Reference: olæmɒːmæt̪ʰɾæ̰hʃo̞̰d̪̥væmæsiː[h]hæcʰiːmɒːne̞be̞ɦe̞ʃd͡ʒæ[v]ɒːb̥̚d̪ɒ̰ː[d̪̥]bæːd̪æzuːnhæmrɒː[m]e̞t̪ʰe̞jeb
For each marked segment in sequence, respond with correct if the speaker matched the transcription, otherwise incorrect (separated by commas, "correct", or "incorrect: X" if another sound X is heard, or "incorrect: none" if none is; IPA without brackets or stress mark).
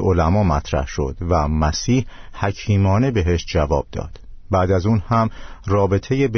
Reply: correct, correct, correct, incorrect: b